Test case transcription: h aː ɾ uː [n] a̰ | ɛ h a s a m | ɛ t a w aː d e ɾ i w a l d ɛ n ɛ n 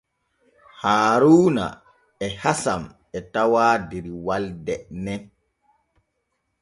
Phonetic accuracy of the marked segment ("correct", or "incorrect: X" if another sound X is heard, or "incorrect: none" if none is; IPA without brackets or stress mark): correct